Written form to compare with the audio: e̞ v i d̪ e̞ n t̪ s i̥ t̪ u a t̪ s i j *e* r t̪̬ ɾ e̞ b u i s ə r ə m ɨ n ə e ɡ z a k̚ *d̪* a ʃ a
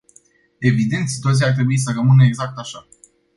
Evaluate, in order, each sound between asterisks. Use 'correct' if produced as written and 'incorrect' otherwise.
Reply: incorrect: a, incorrect: t̪

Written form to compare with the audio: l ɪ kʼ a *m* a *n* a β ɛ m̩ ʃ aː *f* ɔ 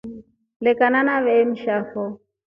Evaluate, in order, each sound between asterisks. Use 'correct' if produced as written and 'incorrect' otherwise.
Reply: incorrect: n, correct, correct

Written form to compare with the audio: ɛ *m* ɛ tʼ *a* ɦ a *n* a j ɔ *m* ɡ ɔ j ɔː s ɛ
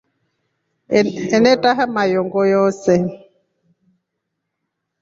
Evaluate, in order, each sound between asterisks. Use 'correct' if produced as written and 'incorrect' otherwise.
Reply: incorrect: n, correct, incorrect: m, incorrect: ŋ

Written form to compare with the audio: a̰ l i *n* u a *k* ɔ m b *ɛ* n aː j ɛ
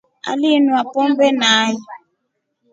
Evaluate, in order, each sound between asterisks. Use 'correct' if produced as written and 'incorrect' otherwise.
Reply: correct, incorrect: p, correct

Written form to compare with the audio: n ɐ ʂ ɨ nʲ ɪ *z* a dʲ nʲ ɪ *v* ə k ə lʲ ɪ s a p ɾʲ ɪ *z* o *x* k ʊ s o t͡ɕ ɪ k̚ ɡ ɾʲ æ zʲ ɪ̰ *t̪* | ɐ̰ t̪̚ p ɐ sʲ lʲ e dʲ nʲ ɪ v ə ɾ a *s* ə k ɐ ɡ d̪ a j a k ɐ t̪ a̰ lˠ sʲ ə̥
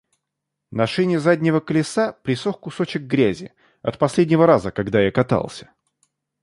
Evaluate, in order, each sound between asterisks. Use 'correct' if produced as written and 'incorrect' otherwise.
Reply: correct, correct, incorrect: s, correct, incorrect: none, incorrect: z

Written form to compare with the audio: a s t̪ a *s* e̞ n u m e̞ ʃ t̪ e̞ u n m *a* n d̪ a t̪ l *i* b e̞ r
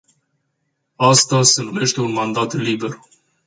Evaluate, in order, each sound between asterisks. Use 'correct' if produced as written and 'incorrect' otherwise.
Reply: correct, correct, correct

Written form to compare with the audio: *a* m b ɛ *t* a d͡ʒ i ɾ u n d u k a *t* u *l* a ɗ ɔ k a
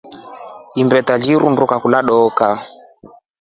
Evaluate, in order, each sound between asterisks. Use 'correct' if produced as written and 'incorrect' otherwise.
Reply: incorrect: i, correct, incorrect: k, correct

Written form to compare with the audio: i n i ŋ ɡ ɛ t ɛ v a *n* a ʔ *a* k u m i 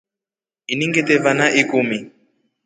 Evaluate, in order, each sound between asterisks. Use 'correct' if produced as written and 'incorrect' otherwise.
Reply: correct, incorrect: i

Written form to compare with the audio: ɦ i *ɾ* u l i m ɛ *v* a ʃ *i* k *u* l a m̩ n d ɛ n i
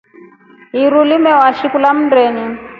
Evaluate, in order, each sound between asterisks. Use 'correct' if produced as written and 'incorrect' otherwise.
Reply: correct, incorrect: w, correct, correct

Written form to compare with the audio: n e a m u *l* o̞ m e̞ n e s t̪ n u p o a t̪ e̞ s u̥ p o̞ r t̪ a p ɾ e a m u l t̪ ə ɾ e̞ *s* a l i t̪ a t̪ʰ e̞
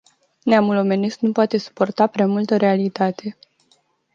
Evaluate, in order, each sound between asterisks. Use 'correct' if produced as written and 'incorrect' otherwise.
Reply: correct, incorrect: none

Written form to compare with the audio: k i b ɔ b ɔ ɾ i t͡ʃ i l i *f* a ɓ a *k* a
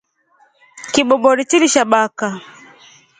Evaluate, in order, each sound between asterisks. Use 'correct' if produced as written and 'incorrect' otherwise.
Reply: incorrect: ʃ, correct

